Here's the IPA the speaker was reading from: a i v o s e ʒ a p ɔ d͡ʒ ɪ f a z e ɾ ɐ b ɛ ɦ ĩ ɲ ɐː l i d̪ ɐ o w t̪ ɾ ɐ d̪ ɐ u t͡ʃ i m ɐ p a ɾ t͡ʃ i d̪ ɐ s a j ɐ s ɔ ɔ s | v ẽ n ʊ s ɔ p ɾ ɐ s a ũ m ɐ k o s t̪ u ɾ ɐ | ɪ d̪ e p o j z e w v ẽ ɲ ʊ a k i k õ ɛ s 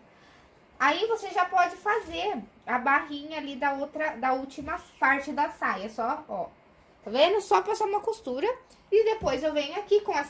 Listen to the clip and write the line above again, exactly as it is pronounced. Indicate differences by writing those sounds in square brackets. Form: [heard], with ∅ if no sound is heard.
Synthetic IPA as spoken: a i v o s e ʒ a p ɔ d͡ʒ ɪ f a z e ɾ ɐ b [a] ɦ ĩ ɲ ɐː l i d̪ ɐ o w t̪ ɾ ɐ d̪ ɐ u t͡ʃ i m ɐ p a ɾ t͡ʃ [ɪ] d̪ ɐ s a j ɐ s ɔ ɔ [∅] | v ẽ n ʊ s ɔ p ɾ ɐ s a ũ m ɐ k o s t̪ u ɾ ɐ | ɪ d̪ e p o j z e w v ẽ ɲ ʊ a k i k õ ɛ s